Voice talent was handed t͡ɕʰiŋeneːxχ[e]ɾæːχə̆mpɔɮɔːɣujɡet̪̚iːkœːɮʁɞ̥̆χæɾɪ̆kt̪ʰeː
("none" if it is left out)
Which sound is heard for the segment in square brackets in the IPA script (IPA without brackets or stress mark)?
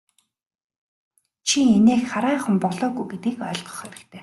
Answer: a